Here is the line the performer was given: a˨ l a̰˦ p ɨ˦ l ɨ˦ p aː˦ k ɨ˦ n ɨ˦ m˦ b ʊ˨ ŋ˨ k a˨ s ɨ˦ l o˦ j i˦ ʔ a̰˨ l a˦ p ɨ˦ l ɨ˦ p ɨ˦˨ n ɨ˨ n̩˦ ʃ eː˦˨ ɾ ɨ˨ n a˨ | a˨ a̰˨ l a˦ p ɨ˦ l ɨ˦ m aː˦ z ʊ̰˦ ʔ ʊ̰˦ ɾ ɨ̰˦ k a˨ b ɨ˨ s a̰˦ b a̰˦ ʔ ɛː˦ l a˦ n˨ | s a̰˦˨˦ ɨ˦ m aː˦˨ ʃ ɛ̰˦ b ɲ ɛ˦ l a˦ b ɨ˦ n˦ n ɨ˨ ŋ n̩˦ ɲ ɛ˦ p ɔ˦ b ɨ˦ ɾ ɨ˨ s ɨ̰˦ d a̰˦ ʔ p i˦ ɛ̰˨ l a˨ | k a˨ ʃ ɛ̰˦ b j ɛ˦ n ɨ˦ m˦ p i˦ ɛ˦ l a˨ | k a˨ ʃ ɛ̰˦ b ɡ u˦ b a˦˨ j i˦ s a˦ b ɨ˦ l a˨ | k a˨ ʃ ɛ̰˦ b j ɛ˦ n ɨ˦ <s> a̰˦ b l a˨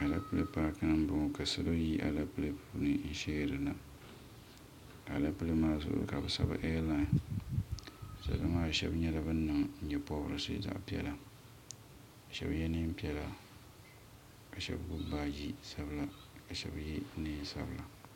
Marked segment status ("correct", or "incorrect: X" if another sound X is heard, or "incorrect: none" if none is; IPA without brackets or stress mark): correct